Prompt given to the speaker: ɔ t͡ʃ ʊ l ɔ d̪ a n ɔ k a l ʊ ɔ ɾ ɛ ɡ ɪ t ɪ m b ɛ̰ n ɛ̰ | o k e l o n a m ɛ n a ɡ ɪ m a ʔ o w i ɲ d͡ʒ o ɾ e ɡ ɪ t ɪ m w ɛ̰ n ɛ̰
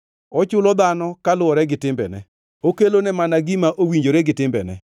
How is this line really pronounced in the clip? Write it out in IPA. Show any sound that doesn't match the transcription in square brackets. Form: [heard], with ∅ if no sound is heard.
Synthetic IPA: ɔ t͡ʃ ʊ l ɔ d̪ a n ɔ k a l ʊ ɔ ɾ ɛ ɡ ɪ t ɪ m b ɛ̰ n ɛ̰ | o k e l o n [ɛ] m [a] n a ɡ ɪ m a ʔ o w i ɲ d͡ʒ o ɾ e ɡ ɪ t ɪ m [b] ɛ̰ n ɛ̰